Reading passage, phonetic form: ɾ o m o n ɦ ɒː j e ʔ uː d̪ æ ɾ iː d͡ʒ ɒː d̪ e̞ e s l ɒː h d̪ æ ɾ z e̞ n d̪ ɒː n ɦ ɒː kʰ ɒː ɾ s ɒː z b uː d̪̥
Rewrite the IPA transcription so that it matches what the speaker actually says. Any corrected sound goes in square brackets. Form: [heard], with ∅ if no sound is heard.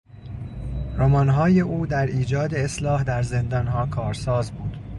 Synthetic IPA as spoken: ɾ o m [ɒ] n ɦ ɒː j e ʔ uː d̪ æ ɾ iː d͡ʒ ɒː d̪ e̞ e s l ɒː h d̪ æ ɾ z e̞ n d̪ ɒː n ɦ ɒː kʰ ɒː ɾ s ɒː z b uː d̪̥